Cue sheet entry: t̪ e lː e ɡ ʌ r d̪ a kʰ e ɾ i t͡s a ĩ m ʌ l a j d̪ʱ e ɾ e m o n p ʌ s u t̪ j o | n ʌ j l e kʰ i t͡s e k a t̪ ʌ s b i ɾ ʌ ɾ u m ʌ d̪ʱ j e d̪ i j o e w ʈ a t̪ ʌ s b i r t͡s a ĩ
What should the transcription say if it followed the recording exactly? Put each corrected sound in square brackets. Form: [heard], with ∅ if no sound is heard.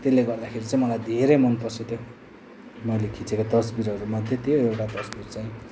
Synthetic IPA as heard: t̪ e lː e ɡ ʌ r d̪ a kʰ e ɾ i t͡s a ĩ m ʌ l a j d̪ʱ e ɾ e m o n p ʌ s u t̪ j o | [m] ʌ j l e kʰ i t͡s e k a t̪ ʌ s b i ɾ ʌ ɾ u m ʌ d̪ʱ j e [t̪] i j o e w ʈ a t̪ ʌ s b i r t͡s a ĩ